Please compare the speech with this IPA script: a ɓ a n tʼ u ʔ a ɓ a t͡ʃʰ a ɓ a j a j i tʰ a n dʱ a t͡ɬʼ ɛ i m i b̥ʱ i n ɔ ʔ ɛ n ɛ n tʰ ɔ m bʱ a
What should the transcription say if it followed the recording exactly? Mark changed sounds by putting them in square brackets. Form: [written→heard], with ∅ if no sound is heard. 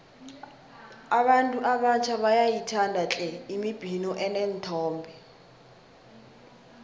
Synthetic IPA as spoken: a ɓ a n tʼ u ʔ a ɓ a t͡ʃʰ a ɓ a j a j i tʰ a n dʱ a t͡ɬʼ ɛ i m i b̥ʱ i n ɔ ʔ ɛ n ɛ n tʰ [ɔ→ɔː] m bʱ [a→ɛ]